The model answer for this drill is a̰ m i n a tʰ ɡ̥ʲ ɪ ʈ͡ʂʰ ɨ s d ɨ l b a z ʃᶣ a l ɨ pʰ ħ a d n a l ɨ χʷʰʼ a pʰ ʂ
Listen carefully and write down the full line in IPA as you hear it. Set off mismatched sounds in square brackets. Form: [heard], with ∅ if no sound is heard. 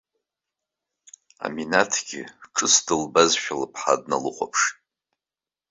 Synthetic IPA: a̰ m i n a tʰ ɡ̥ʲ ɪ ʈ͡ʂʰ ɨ s d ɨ l b a z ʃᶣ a l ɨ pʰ ħ a d n a l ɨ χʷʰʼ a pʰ ʂ